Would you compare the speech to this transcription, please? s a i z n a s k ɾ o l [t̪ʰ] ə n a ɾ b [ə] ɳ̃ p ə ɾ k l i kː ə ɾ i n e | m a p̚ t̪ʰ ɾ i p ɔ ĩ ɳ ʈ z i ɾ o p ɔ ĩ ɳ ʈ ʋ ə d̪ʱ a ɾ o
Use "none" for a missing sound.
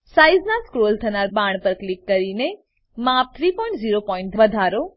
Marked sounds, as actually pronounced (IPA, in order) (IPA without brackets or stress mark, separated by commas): t̪ʰ, a